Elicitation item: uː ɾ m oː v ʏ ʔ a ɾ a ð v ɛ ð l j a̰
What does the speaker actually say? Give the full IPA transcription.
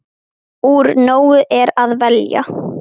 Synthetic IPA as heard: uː ɾ n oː w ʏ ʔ ɛ ɾ a ð v ɛ l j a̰

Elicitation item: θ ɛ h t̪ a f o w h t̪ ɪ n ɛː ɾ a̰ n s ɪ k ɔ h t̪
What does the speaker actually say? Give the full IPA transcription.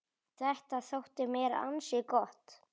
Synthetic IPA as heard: θ ɛ h t̪ a θ o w h t̪ ɪ m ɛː ɾ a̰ n s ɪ k ɔ h t̪

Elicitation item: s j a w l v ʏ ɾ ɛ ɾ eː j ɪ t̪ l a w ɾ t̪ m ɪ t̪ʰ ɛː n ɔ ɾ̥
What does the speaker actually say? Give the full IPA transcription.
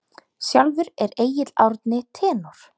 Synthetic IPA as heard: s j a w l v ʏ ɾ ɛ ɾ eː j ɪ t̪ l a w ɾ t̪ n ɪ t̪ʰ ɛː n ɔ ɾ̥

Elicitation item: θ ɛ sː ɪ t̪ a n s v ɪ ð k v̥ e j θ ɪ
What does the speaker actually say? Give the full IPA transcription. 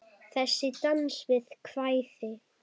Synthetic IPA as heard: θ ɛ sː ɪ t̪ a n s v ɪ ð kʰ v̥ a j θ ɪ

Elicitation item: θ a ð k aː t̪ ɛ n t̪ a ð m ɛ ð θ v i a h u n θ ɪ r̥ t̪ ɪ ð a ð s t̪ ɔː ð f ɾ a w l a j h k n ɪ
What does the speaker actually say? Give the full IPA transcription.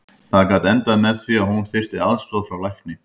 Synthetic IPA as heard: θ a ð k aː t̪ ɛ n t̪ a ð m ɛ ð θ v i a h u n θ ɪ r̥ t̪ ɪ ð a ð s t̪ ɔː ð f ɾ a w l a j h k n ɪ

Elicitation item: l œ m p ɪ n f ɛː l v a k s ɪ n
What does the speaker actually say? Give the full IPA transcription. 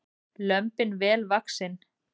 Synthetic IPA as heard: l œ m p ɪ n v ɛː l v a k s ɪ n

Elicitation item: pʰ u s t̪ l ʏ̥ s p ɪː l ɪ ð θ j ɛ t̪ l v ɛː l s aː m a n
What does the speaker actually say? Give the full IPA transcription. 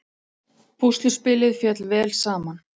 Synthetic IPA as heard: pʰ u s t̪ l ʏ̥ s p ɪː l ɪ ð f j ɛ t̪ l v ɛː l s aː m a n

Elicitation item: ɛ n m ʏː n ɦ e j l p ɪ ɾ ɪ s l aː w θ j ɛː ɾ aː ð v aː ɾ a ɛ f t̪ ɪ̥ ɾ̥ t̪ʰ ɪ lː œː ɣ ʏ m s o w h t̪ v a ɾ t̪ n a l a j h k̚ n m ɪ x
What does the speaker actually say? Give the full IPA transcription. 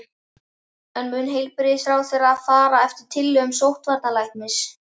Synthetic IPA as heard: ɛ n m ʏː n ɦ e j l p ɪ ɾ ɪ s ɾ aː w θ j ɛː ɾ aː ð f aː ɾ a ɛ f t̪ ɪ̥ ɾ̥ t̪ʰ ɪ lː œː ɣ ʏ m s o w h t̪ v a ɾ t̪ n a l a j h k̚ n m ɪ s

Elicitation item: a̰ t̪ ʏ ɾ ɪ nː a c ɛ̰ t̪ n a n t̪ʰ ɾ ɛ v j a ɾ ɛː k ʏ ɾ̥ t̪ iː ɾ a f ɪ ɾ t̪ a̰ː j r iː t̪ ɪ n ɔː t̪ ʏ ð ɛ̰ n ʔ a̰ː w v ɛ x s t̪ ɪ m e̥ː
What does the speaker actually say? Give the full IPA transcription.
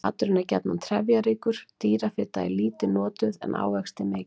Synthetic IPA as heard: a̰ t̪ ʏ ɾ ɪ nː a c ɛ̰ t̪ n a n t̪ʰ ɾ ɛ v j a ɾ iː k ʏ ɾ̥ t̪ iː ɾ a f ɪ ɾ t̪ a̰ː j l iː t̪ ɪ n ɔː t̪ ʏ ð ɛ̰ n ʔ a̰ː w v ɛ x s t̪ ɪ m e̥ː

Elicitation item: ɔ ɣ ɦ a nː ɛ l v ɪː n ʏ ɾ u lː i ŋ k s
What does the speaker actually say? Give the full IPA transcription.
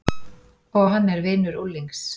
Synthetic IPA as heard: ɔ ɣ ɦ a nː ɛ ɾ v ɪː n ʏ ɾ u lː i ŋ k s

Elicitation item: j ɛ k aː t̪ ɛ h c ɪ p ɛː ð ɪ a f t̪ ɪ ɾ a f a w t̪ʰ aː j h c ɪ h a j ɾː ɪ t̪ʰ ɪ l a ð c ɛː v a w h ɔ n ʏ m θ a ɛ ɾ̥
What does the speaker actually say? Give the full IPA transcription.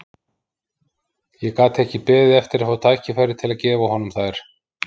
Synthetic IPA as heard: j ɛ k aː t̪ ɛ h c ɪ p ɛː ð ɪ ɛ f t̪ ɪ ɾ a f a w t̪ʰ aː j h c ɪ f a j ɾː ɪ t̪ʰ ɪ l a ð c ɛː v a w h ɔ n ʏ m θ a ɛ ɾ̥

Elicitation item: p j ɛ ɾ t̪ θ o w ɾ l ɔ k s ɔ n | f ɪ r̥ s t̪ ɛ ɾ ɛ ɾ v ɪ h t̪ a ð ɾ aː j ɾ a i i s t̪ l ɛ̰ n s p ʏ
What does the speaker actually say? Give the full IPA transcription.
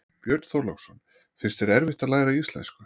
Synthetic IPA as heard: p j œ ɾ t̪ θ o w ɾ l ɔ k s ɔ n | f ɪ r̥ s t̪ ɛ ɾ ɛ ɾ v ɪ h t̪ a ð l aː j ɾ a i i s t̪ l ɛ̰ n s k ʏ

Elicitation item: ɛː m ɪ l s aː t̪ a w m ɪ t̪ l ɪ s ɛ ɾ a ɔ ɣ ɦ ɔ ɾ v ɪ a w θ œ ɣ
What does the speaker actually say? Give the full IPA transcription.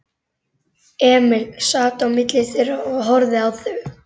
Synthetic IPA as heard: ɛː m ɪ l s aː t̪ a w m ɪ t̪ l ɪ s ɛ ɾ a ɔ ɣ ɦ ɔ ɾ ð ɪ a w θ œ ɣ

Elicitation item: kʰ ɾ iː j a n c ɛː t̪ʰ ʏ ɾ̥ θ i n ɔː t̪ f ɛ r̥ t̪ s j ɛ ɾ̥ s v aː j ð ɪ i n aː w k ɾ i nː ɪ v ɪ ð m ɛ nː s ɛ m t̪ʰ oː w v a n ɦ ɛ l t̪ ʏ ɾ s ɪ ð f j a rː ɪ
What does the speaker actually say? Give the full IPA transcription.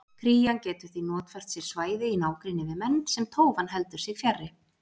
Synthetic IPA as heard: kʰ ɾ iː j a n c ɛː t̪ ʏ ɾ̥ θ i n ɔː t̪ f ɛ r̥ t̪ s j ɛ ɾ̥ s v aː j ð ɪ i n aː w k ɾ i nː ɪ v ɪ ð m ɛ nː s ɛ m t̪ʰ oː w v a n ɦ ɛ l t̪ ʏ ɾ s ɪ ɣ f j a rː ɪ

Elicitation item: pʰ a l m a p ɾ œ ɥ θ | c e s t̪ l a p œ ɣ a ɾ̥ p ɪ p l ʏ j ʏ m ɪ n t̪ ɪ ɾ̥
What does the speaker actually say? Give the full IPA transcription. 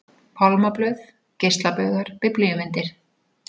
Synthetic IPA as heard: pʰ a l m a p l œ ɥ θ | c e s t̪ l a p œ ɣ a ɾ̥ p ɪ p l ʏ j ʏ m ɪ n t̪ ɪ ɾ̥

